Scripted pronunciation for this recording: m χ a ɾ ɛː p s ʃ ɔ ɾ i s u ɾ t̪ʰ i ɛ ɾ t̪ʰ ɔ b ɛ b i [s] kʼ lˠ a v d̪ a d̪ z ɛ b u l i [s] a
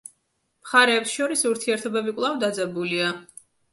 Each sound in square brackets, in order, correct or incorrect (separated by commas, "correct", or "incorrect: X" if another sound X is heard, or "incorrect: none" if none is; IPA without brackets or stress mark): incorrect: none, incorrect: none